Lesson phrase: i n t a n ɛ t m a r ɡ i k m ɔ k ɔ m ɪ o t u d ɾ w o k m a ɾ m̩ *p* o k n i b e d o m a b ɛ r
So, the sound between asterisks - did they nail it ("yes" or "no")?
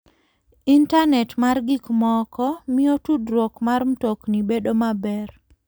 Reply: no